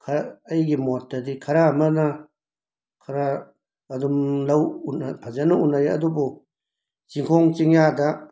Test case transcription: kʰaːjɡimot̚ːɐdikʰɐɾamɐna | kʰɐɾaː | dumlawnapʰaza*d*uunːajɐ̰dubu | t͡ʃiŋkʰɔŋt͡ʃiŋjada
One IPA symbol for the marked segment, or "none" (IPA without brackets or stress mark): n